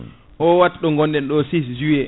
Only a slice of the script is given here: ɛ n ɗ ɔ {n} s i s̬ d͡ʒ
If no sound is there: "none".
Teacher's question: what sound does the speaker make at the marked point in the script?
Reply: none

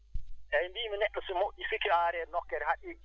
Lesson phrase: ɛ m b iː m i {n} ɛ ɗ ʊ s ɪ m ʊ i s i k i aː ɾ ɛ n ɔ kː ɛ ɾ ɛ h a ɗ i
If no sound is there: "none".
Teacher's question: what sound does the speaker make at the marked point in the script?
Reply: n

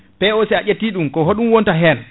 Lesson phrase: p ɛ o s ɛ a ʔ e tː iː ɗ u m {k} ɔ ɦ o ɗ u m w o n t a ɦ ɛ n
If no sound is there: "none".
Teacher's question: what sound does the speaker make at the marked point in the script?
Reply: k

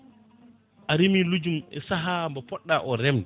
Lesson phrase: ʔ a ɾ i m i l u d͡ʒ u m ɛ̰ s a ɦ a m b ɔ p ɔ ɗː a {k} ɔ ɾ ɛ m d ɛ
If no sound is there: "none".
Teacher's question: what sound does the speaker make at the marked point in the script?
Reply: ʔ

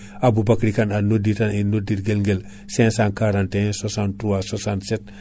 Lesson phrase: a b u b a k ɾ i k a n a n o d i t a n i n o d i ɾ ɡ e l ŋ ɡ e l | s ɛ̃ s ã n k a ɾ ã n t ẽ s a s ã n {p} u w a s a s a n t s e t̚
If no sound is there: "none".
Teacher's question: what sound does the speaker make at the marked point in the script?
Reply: t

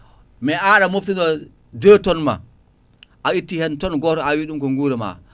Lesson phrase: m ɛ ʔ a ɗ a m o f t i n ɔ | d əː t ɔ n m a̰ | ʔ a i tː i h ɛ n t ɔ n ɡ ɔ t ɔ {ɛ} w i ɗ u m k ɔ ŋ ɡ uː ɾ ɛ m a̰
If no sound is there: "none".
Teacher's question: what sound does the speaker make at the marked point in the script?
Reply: a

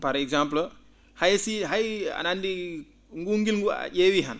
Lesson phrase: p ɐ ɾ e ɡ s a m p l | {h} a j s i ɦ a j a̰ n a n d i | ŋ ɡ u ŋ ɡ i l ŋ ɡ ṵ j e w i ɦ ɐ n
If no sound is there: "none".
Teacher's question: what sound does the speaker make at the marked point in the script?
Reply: h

